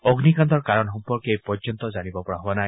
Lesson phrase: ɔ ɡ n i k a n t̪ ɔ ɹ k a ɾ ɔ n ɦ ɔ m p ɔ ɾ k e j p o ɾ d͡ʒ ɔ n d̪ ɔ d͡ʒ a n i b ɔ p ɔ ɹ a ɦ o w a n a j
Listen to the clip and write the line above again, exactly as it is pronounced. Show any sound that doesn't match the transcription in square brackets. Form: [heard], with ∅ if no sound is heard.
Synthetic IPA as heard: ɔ ɡ n i k a n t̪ ɔ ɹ k a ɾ ɔ n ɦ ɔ m p ɔ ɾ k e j p [ɔ] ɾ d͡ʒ ɔ n [t̪] ɔ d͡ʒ a n i b ɔ p ɔ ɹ a ɦ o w a n a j

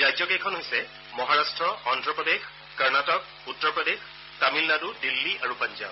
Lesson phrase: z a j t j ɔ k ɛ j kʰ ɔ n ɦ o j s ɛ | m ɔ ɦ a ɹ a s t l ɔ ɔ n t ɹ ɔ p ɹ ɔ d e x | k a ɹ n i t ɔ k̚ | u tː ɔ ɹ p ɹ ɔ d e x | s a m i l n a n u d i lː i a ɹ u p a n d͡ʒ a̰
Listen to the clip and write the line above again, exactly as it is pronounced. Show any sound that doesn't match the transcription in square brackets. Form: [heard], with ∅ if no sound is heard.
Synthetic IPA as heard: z a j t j ɔ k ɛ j kʰ ɔ n ɦ o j s ɛ | m ɔ ɦ a ɹ a s t [ɹ] ɔ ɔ n t ɹ ɔ p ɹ ɔ d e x | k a ɹ n [a] t ɔ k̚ | u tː ɔ ɹ p ɹ ɔ d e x | [t] a m i l n a [d] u d i lː i a ɹ u p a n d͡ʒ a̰

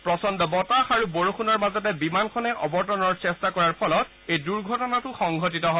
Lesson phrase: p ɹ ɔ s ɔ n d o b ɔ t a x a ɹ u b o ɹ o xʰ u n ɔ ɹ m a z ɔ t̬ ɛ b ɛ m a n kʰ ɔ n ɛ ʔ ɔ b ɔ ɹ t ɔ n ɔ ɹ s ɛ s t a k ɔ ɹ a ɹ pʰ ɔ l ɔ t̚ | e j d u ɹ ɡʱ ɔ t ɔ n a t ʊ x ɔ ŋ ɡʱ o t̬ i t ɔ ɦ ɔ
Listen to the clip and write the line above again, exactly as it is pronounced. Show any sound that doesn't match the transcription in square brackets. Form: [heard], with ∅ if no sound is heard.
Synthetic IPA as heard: p ɹ ɔ s ɔ n d [ɔ] b ɔ t a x a ɹ u b o ɹ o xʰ u n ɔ ɹ m a z ɔ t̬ ɛ b [i] m a n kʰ ɔ n ɛ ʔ ɔ b ɔ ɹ t ɔ n ɔ ɹ s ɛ s t a k ɔ ɹ a ɹ pʰ ɔ l ɔ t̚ | e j d u ɹ ɡʱ ɔ t ɔ n a t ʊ x ɔ ŋ ɡʱ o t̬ i t ɔ ɦ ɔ

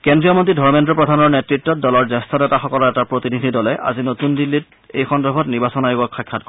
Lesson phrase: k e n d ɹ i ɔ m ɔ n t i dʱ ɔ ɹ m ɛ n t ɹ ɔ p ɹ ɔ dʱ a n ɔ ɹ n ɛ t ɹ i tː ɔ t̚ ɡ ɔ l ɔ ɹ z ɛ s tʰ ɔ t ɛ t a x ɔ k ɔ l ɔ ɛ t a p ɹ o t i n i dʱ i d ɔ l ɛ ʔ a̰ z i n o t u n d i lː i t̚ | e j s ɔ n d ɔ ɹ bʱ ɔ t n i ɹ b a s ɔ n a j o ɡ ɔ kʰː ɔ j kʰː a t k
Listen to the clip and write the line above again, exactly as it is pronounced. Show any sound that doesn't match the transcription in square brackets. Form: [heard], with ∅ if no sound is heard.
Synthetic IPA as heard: k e n d ɹ i ɔ m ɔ n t i dʱ ɔ ɹ m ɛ n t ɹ ɔ p ɹ ɔ dʱ a n ɔ ɹ n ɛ t ɹ i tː ɔ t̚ [d] ɔ l ɔ ɹ z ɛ s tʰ ɔ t ɛ t a x ɔ k ɔ l ɔ ɛ t a p ɹ o t i n i dʱ i d ɔ l ɛ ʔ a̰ z i n o t u n d i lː i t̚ | e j [x] ɔ n d ɔ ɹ bʱ ɔ t n i ɹ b a s ɔ n a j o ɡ ɔ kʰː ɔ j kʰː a t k

